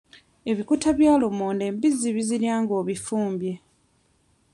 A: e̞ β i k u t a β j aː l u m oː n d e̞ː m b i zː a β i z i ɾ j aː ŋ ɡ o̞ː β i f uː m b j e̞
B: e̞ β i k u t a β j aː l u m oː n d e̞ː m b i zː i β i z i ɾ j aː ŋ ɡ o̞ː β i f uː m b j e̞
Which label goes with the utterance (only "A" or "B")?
B